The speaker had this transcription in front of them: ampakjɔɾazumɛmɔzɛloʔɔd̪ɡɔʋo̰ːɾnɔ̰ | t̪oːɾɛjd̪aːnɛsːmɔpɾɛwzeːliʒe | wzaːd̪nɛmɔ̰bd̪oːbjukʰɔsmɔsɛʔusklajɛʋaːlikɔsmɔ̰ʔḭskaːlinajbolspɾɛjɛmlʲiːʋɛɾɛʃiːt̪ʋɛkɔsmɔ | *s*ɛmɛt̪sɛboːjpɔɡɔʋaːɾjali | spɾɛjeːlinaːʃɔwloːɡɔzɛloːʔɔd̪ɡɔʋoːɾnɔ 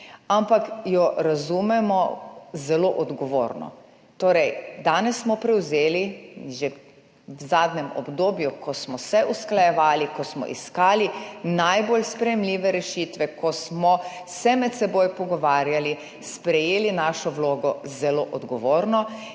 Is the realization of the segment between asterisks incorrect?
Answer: no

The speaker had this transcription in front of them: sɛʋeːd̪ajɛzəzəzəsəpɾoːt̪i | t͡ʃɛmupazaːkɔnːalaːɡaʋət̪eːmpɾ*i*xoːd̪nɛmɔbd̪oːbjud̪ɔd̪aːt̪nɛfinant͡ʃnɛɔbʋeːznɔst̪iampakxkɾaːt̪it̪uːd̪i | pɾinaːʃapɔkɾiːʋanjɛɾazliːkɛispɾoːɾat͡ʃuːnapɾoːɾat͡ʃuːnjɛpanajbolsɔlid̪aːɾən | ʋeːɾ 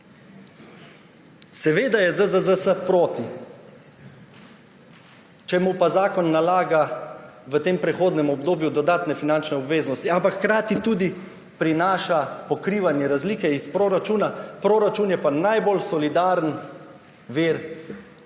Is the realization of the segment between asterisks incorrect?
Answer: yes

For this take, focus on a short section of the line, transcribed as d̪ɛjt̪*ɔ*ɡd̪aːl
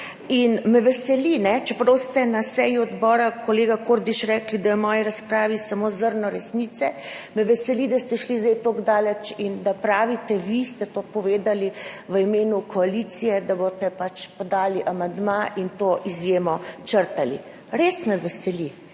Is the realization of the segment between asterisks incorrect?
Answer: yes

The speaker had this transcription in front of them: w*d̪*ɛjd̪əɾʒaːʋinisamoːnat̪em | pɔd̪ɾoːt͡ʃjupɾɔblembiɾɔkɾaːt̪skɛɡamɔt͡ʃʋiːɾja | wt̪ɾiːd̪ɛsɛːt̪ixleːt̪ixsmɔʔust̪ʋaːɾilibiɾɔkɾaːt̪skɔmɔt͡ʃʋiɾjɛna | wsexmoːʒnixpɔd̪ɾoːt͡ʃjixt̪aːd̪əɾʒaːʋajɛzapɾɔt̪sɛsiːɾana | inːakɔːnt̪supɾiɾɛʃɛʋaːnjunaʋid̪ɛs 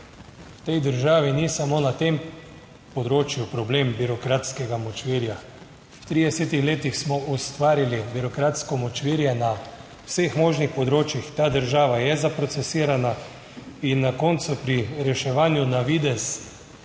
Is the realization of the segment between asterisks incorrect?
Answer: yes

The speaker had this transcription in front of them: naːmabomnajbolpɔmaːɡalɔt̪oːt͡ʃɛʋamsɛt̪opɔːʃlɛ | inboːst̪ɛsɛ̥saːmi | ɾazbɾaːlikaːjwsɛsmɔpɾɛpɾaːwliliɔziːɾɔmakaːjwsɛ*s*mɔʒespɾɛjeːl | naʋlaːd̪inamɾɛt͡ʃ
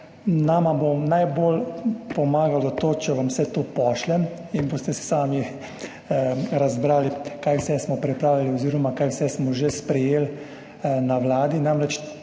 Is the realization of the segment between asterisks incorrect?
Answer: no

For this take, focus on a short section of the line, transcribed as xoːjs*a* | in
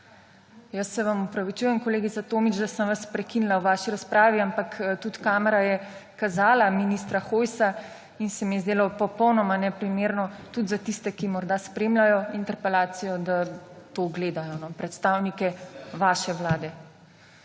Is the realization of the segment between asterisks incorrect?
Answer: no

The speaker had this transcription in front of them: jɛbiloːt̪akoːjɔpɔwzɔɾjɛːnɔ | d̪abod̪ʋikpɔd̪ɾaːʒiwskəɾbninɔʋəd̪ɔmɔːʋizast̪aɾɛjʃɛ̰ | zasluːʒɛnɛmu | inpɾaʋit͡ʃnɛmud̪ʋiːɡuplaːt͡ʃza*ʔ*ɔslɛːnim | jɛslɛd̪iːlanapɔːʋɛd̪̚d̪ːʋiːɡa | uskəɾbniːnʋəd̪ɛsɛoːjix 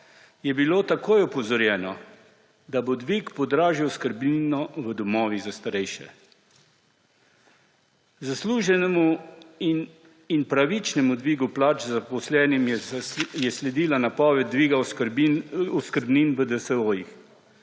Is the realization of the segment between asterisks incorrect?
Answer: yes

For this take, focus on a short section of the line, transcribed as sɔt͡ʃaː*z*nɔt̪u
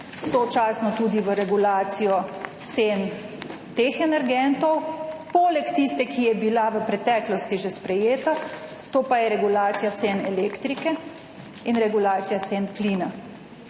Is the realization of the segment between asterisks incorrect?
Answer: yes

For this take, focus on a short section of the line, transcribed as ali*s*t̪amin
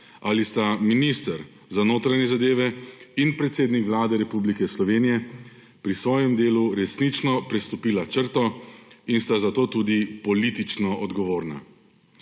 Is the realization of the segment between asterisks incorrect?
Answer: no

